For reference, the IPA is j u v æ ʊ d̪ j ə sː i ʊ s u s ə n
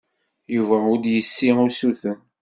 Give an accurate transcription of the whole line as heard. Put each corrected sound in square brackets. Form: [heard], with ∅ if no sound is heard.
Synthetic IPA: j u v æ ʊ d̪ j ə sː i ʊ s u [θ] ə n